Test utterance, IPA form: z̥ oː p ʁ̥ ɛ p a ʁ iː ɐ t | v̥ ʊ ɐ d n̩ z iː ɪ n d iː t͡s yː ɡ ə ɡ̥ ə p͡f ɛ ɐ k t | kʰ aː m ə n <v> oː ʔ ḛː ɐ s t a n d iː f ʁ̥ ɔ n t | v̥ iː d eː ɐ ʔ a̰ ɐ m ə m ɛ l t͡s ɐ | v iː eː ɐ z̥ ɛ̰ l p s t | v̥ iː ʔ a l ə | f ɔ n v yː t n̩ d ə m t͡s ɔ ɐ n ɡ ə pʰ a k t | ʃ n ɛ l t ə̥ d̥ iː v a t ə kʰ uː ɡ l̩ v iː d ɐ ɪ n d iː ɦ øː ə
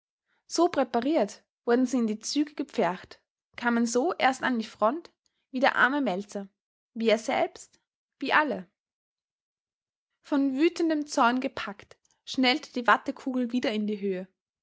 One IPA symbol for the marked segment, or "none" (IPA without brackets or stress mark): z